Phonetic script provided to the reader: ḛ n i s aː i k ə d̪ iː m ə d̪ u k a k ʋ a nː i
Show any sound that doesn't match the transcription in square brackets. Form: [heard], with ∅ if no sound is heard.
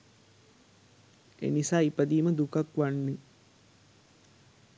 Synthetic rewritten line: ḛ n i s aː i [p] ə d̪ iː m ə d̪ u k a k ʋ a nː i